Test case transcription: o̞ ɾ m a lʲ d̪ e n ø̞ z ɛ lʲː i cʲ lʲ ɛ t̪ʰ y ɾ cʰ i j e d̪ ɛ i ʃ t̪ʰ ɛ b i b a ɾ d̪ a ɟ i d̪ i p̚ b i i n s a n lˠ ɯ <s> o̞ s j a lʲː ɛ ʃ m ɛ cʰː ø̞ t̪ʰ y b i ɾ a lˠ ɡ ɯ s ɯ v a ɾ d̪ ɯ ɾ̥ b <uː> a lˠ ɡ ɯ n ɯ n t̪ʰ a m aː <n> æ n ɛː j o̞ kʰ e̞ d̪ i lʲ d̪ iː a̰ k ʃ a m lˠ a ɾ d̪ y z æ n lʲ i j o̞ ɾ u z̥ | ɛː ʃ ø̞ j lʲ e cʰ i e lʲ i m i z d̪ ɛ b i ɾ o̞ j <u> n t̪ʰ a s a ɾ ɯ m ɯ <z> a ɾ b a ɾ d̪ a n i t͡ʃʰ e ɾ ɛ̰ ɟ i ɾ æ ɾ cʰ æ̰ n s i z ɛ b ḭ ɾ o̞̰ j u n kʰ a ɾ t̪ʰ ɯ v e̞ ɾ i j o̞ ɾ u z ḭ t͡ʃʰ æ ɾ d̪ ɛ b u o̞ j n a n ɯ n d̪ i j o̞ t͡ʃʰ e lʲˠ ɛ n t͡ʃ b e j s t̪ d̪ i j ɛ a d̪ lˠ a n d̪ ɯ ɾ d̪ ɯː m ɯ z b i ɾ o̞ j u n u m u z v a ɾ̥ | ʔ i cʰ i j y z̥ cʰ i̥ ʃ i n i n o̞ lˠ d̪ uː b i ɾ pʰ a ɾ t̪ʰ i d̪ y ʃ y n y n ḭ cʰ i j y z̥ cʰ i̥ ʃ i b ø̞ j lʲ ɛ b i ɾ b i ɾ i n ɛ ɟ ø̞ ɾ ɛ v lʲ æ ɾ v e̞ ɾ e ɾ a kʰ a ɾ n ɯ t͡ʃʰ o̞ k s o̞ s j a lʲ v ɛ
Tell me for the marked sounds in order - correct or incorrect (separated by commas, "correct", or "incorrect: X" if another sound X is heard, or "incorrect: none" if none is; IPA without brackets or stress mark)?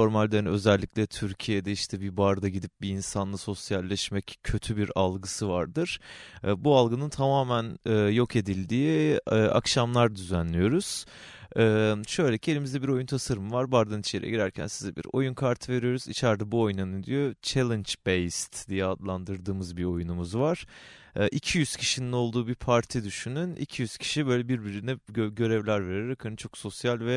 correct, incorrect: u, incorrect: m, correct, incorrect: v